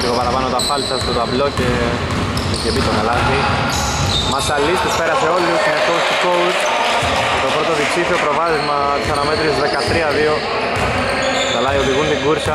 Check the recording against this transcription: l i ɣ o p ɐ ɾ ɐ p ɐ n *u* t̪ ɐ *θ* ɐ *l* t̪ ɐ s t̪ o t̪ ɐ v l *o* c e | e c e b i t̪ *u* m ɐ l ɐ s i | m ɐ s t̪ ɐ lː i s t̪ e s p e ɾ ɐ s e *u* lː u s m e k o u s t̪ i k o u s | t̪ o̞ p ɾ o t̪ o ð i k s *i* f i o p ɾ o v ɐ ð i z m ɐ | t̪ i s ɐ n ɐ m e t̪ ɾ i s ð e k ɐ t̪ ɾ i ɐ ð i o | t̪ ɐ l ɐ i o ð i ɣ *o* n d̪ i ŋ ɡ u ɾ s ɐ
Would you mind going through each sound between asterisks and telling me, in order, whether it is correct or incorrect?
incorrect: o, incorrect: f, correct, correct, incorrect: o, incorrect: o, correct, incorrect: u

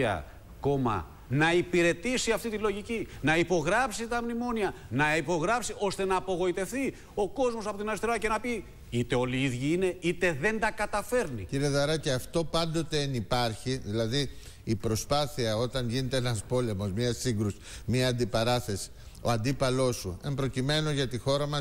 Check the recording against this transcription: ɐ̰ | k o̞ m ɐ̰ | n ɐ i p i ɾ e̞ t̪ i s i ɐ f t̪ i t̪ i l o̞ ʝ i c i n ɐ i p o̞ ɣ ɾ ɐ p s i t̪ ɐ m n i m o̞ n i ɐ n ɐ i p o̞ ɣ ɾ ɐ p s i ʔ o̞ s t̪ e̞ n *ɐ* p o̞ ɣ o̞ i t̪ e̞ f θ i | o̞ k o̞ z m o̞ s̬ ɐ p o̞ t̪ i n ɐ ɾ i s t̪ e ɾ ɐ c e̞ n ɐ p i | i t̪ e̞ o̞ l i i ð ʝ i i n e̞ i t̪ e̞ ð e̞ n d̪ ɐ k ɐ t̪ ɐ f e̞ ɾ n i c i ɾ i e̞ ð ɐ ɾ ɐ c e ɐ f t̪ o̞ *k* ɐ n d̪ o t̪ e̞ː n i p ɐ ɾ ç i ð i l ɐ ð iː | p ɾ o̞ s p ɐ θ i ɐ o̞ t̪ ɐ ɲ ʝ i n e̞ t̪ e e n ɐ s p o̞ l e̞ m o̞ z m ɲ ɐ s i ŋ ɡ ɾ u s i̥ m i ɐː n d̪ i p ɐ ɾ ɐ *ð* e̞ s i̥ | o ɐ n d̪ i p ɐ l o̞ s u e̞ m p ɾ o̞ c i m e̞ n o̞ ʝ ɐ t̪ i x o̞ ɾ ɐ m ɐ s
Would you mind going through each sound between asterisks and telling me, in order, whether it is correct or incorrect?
incorrect: ɐː, incorrect: p, incorrect: θ

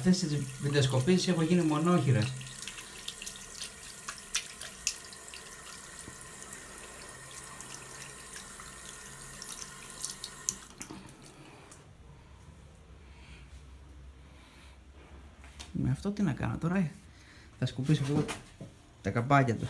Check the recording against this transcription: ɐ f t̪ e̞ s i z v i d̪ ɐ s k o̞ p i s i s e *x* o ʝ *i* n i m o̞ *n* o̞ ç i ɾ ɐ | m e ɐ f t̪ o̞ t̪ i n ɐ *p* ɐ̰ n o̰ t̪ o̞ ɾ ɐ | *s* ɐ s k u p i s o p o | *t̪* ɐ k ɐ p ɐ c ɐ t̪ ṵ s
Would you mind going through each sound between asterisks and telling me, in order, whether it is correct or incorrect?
correct, correct, correct, incorrect: k, incorrect: θ, correct

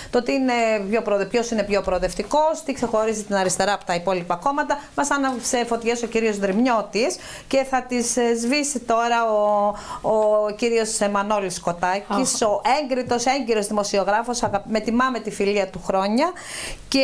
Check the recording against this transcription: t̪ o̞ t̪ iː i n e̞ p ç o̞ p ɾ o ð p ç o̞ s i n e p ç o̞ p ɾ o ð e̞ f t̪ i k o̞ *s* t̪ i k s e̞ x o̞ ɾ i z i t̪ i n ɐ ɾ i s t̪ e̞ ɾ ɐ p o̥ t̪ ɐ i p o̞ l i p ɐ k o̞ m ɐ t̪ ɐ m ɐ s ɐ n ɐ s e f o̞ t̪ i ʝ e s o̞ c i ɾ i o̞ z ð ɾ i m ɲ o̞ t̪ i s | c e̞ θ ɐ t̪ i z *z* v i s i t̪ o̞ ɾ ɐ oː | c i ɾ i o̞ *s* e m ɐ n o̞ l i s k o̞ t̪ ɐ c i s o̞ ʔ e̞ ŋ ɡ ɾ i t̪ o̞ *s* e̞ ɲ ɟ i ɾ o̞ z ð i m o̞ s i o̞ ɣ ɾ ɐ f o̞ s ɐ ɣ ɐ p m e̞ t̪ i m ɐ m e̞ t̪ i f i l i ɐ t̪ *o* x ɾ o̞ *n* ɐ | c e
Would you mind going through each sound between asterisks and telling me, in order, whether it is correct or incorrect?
correct, correct, correct, correct, incorrect: u, incorrect: ɲ

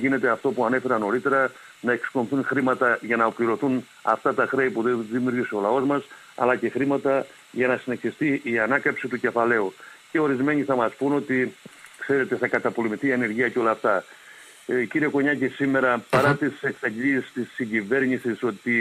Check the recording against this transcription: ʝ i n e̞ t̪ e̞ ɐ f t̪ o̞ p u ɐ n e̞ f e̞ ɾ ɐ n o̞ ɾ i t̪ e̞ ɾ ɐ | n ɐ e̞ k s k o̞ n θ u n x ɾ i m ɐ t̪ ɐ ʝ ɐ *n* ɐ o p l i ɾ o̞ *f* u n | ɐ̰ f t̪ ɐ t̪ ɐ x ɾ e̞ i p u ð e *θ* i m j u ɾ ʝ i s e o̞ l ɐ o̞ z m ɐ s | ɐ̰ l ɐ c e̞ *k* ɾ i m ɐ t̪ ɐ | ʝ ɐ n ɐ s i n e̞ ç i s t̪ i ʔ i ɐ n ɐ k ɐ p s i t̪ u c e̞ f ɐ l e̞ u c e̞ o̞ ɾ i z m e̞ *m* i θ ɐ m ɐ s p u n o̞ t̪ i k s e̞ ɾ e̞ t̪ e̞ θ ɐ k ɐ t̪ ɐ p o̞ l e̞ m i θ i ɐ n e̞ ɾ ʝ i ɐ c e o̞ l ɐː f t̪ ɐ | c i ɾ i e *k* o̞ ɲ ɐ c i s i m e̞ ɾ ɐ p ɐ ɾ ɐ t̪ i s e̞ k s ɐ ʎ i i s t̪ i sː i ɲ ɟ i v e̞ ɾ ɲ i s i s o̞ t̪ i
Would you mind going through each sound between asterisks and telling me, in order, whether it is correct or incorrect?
correct, incorrect: θ, incorrect: ð, incorrect: x, incorrect: ɲ, correct

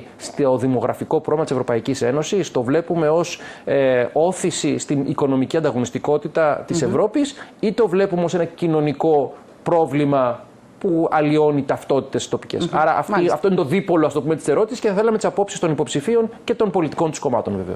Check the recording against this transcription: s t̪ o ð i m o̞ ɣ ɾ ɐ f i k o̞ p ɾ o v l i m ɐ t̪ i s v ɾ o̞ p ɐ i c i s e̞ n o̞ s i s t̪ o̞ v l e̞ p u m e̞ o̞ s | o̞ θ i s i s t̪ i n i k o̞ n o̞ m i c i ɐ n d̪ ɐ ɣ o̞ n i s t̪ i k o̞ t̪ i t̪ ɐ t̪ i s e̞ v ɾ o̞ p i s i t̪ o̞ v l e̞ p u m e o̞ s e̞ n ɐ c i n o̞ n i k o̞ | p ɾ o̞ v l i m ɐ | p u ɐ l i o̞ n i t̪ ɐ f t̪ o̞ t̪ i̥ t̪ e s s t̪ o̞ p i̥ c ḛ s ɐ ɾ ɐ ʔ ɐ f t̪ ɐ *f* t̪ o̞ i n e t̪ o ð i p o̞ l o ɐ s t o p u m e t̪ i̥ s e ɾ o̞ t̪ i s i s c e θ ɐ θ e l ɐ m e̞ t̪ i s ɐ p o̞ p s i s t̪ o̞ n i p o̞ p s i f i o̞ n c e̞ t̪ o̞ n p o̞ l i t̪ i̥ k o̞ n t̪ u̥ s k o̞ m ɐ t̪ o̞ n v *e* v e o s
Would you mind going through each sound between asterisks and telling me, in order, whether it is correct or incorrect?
correct, correct

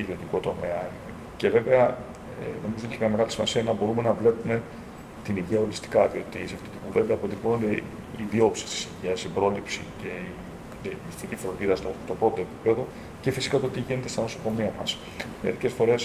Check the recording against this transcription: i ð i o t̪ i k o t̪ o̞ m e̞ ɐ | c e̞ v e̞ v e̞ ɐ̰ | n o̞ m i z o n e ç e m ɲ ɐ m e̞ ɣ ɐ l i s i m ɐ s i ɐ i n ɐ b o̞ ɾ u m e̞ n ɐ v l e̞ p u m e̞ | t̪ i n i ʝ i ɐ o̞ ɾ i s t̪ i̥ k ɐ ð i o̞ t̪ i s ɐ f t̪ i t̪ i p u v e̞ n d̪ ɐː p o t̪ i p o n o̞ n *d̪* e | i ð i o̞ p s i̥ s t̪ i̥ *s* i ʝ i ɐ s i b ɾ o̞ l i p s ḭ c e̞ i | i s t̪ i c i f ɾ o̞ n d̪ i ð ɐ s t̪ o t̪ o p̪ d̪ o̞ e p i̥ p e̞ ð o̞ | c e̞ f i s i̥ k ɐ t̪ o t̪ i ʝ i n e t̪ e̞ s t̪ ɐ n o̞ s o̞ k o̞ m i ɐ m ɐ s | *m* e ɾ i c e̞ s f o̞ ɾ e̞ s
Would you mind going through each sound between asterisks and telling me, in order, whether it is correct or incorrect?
correct, correct, correct

